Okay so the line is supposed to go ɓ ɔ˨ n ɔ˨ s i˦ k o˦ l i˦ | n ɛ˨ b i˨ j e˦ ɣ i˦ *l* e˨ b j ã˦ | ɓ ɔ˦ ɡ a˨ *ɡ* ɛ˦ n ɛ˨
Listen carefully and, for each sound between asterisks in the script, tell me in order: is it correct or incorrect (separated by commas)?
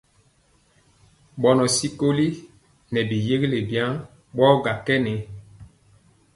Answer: correct, incorrect